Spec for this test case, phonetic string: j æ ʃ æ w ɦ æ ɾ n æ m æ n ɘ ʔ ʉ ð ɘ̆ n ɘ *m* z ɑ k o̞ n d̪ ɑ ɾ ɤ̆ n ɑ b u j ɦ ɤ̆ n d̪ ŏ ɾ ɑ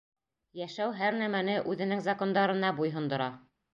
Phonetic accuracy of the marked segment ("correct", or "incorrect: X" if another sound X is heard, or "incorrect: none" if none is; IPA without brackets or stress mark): incorrect: ŋ